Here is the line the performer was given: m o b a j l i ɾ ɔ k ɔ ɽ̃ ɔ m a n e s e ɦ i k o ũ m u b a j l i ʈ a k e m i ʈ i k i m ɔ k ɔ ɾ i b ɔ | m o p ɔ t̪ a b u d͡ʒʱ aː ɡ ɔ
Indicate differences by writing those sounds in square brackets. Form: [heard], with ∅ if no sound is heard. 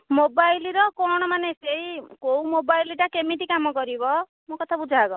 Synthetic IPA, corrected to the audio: m o b a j l i ɾ ɔ k ɔ ɽ̃ ɔ m a n e s e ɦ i k o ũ m [o] b a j l i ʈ a k e m i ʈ i k [a] m ɔ k ɔ ɾ i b ɔ | m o [k] ɔ [t̪ʰ] a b u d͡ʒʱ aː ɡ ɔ